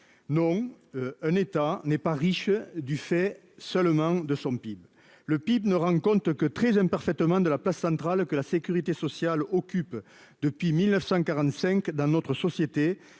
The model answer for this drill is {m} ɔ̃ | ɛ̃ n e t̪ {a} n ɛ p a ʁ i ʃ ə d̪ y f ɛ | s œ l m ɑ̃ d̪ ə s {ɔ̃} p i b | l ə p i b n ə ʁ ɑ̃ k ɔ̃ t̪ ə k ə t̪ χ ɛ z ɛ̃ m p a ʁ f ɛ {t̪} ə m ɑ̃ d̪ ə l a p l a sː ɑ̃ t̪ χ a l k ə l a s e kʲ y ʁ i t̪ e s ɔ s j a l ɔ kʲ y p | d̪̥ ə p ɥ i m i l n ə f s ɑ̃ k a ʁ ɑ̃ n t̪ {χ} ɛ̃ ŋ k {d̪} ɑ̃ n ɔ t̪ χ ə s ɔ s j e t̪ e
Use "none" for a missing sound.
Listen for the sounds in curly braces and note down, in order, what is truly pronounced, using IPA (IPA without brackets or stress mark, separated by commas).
n, a, ɔ̃, t̪, s, d̪